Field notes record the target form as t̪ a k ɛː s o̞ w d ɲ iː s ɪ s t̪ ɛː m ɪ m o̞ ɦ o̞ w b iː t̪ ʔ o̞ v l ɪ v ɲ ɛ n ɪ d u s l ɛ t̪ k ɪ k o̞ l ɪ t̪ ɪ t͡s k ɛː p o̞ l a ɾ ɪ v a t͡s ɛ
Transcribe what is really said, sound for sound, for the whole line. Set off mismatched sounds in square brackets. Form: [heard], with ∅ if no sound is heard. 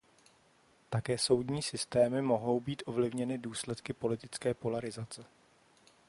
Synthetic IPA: t̪ a k ɛː s o̞ w d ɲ iː s ɪ s t̪ ɛː m ɪ m o̞ ɦ o̞ w b iː t̪ ʔ o̞ v l ɪ v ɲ ɛ n ɪ d [uː] s l ɛ t̪ k ɪ [p] o̞ l ɪ t̪ ɪ t͡s k ɛː p o̞ l a ɾ ɪ [z] a t͡s ɛ